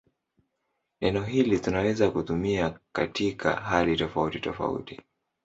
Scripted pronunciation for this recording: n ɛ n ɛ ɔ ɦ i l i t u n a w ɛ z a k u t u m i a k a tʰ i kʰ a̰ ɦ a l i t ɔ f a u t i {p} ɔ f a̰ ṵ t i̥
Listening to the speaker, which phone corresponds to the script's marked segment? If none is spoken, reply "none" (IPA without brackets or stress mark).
t